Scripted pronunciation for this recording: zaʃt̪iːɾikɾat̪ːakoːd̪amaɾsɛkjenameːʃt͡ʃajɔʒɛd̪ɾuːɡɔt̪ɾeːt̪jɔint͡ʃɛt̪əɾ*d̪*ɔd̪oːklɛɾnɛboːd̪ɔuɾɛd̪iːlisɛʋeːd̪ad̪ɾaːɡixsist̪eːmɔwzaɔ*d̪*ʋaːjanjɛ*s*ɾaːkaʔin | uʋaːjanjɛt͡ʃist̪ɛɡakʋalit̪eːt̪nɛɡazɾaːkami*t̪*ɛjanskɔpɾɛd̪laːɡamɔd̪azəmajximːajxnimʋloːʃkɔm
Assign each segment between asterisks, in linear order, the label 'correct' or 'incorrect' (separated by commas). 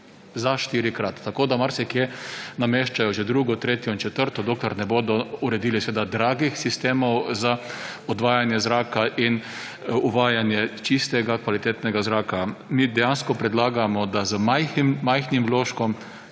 incorrect, correct, incorrect, incorrect